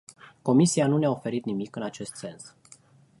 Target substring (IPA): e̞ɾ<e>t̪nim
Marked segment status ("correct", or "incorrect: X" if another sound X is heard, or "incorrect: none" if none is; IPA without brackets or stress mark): incorrect: i